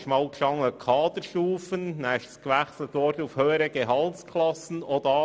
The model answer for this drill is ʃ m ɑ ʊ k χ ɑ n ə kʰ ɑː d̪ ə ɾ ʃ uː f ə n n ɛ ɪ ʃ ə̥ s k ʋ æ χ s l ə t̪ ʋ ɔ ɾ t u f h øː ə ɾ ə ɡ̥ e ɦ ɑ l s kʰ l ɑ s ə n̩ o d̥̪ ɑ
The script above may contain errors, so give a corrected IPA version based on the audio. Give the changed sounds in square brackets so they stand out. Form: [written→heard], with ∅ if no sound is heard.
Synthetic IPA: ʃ m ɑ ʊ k [χ→ʃ] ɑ [n→ŋ] ə kʰ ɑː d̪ ə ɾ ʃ uː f ə n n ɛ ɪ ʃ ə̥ s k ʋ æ χ s l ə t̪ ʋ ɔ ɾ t u f h øː ə ɾ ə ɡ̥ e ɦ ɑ l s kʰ l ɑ s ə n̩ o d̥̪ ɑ